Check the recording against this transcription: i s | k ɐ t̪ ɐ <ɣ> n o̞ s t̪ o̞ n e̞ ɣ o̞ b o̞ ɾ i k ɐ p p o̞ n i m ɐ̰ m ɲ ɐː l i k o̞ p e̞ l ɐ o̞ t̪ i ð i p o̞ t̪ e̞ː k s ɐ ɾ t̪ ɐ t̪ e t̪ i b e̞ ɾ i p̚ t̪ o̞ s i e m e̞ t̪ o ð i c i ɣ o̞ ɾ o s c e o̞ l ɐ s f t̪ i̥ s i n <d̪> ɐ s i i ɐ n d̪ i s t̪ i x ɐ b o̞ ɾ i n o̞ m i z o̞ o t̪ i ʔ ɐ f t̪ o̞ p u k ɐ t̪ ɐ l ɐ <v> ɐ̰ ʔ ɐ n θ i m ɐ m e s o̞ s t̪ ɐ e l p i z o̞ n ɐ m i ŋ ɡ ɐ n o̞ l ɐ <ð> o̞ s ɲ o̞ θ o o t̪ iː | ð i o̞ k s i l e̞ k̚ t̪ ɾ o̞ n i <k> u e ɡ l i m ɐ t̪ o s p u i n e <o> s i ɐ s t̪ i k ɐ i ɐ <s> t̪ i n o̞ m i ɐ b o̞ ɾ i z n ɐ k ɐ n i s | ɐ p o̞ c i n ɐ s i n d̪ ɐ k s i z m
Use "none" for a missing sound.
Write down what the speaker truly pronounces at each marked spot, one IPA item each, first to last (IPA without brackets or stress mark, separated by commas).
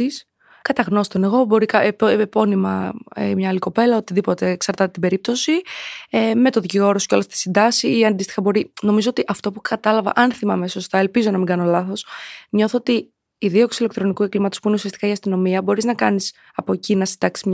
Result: ɣ, d̪, v, θ, k, u, s